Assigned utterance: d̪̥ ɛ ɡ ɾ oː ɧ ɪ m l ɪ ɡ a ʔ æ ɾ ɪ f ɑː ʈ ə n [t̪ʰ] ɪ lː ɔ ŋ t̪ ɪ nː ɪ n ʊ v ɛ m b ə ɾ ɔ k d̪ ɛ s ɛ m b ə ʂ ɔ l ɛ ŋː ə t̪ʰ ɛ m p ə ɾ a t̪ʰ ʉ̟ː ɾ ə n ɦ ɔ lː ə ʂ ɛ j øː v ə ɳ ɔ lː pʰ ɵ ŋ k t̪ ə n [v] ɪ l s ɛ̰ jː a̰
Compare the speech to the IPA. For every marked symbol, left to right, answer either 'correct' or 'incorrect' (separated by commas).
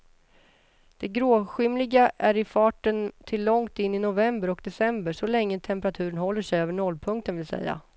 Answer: correct, correct